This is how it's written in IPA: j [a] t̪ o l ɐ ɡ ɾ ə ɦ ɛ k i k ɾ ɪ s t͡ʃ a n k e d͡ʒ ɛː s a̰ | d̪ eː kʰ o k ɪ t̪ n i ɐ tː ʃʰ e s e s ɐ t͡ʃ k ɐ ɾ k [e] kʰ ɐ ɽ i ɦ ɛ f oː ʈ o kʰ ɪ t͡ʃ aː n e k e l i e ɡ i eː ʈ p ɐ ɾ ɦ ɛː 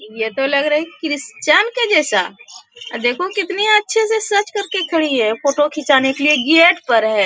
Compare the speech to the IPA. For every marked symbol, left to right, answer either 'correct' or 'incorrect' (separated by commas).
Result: incorrect, correct